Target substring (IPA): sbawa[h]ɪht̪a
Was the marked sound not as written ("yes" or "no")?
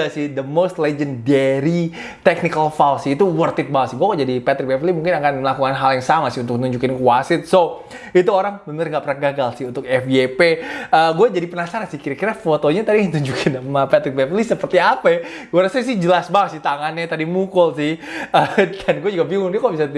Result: yes